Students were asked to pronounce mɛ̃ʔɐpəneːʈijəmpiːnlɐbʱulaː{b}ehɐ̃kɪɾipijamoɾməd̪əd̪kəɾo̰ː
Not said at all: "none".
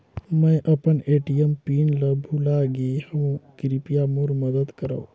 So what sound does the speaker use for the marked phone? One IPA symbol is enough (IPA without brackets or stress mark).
ɡ